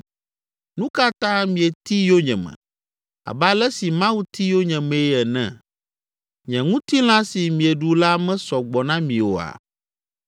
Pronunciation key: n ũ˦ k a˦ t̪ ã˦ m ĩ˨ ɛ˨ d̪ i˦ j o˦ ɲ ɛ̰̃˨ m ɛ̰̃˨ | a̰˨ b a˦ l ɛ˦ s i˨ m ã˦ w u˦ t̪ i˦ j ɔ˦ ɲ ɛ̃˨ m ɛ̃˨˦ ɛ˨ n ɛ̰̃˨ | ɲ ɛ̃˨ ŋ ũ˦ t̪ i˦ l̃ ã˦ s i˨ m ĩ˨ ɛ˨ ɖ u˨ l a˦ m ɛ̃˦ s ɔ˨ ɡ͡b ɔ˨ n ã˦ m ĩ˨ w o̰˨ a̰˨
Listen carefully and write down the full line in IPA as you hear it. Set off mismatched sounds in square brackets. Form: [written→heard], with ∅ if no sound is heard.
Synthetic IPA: n ũ˦ k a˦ t̪ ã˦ m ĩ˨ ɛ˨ [d̪→t̪] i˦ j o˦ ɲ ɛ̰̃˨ m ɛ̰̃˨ | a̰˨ b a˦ l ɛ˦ s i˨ m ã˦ w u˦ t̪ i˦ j [ɔ˦→o˦] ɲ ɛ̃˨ m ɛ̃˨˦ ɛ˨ n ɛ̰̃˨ | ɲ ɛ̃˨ ŋ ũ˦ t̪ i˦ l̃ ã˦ s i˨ m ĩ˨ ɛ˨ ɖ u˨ l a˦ m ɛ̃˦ s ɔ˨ ɡ͡b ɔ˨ n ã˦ m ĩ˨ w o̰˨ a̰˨